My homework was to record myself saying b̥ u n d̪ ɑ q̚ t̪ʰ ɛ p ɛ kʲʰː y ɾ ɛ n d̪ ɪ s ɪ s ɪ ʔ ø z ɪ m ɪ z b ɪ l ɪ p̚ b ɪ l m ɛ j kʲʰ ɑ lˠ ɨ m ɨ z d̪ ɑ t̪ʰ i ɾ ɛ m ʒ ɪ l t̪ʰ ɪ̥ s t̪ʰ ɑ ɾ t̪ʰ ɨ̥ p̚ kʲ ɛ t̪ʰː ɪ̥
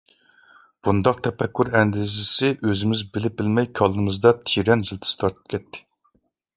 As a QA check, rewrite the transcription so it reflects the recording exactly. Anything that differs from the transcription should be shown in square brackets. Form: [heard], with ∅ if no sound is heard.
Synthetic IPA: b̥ u n d̪ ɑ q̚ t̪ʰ ɛ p ɛ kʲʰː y ɾ ɛ n d̪ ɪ [z] ɪ s ɪ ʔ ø z ɪ m ɪ z b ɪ l ɪ p̚ b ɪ l m ɛ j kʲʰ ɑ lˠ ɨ m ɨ z d̪ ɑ t̪ʰ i ɾ ɛ [n] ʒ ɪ l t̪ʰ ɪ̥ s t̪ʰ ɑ ɾ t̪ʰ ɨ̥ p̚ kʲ ɛ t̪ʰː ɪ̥